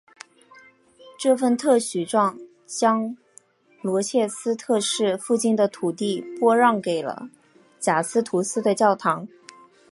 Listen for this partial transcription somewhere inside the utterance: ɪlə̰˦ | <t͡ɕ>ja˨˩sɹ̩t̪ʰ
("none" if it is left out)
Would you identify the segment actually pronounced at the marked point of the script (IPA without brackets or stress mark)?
t͡ɕ